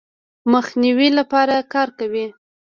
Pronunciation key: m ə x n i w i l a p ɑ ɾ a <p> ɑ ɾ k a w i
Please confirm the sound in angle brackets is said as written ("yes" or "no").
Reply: no